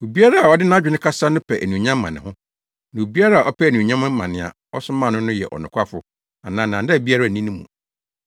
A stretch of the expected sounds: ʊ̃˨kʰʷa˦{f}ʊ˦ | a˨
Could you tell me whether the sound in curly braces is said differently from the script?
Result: no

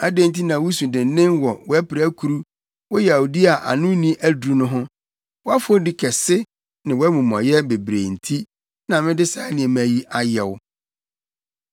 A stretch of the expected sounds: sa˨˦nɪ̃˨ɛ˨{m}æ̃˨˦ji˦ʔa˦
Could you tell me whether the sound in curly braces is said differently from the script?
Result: no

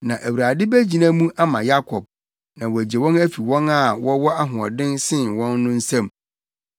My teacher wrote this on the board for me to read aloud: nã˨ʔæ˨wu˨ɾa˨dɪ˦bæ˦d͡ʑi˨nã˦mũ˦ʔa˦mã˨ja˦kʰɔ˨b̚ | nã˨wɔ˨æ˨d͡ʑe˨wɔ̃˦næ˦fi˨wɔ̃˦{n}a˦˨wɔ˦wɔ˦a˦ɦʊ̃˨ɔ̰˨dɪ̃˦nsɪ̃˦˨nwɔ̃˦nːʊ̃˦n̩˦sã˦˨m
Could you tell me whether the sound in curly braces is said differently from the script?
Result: no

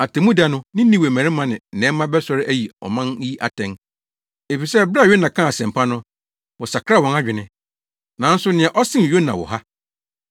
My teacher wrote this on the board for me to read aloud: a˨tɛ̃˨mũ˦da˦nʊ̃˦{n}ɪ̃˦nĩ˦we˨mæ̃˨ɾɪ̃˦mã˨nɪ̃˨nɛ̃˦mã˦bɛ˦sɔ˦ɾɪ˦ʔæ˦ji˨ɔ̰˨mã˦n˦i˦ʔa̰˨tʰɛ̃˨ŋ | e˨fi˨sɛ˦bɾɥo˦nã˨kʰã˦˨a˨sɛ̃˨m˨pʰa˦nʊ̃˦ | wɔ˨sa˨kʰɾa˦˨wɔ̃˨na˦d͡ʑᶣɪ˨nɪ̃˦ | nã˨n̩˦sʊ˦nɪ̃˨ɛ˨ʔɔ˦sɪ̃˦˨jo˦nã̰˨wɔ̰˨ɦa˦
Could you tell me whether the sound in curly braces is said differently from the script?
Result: no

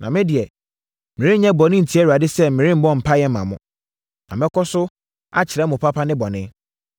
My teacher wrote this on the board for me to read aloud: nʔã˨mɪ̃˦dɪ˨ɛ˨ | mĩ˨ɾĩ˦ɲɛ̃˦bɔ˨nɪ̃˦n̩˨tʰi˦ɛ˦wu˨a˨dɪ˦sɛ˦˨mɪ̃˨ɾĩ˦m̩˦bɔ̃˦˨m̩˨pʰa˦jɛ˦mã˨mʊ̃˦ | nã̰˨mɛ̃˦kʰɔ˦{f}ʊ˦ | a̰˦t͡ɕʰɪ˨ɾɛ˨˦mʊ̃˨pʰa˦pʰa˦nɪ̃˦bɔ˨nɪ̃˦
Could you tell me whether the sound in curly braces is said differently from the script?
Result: yes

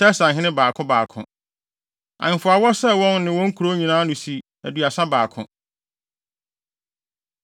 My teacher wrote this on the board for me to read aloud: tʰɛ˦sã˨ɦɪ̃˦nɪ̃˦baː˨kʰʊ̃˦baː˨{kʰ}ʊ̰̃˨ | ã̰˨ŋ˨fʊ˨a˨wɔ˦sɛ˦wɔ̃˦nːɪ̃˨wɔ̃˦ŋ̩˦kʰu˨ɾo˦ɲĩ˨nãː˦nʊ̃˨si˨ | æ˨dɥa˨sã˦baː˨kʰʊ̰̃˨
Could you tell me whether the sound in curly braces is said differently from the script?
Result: no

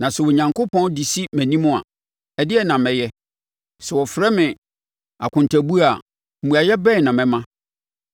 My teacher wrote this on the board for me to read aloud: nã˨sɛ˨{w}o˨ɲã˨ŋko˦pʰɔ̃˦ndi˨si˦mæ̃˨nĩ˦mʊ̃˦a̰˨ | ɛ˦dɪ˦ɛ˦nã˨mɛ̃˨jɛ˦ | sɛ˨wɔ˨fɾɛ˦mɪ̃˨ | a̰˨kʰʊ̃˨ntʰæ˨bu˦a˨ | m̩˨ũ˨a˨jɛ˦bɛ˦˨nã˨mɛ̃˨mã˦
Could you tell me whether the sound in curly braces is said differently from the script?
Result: no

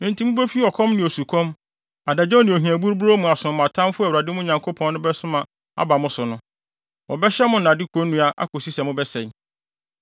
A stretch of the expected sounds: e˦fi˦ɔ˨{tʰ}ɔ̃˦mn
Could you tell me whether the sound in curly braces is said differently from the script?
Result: yes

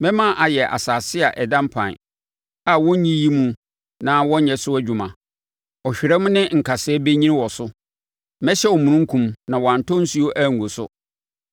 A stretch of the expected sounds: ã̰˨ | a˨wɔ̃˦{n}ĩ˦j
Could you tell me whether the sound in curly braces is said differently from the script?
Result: yes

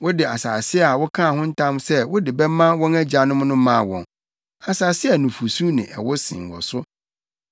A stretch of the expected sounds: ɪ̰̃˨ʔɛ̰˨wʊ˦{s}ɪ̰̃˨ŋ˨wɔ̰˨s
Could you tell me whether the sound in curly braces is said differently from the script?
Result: no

